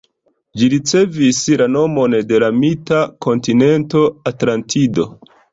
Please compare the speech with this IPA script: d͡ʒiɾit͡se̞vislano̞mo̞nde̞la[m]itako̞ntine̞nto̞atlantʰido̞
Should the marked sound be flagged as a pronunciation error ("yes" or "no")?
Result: no